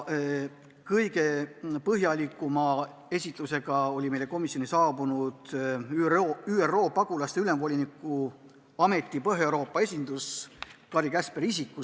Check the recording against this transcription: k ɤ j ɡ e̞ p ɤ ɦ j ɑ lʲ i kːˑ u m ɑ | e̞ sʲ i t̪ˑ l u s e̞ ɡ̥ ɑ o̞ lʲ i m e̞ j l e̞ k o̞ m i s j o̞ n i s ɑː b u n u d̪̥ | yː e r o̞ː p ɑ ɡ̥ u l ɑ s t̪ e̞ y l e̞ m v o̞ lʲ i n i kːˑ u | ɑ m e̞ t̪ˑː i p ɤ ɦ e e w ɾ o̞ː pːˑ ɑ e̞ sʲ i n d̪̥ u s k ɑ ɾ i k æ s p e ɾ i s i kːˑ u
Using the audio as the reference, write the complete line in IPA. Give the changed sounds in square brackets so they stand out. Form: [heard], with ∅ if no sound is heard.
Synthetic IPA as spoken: k ɤ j ɡ e̞ p ɤ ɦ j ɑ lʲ i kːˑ u m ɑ | e̞ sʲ i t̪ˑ l u s e̞ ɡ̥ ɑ o̞ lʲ i m e̞ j l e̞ k o̞ m i s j o̞ n i s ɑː b u n u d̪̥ | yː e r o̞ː p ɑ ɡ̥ u l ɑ s t̪ e̞ y l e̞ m v o̞ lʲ i n i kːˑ u | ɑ m e̞ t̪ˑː i p ɤ ɦ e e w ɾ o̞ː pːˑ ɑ e̞ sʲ i n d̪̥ u s k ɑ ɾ i k æ s p e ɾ i s i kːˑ u